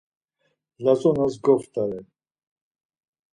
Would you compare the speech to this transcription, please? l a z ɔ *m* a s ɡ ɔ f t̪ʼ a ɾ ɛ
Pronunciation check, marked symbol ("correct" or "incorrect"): incorrect